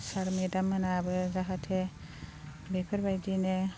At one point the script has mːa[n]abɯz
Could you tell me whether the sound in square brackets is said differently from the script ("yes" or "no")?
no